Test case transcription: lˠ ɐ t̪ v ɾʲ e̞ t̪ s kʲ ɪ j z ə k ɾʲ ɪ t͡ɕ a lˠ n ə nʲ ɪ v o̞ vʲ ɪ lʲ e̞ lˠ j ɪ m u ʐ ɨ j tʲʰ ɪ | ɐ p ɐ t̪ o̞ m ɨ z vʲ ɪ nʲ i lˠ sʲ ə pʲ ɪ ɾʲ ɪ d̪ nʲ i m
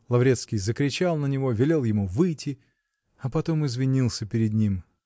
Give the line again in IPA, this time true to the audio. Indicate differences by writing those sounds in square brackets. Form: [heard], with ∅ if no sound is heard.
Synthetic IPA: lˠ ɐ [∅] v ɾʲ e̞ t̪ s kʲ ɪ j z ə k ɾʲ ɪ t͡ɕ a lˠ n ə nʲ ɪ v o̞ vʲ ɪ lʲ e̞ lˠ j ɪ m u [v] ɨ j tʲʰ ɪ | ɐ p ɐ t̪ o̞ m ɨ z vʲ ɪ nʲ i lˠ sʲ ə pʲ ɪ ɾʲ ɪ d̪ nʲ i m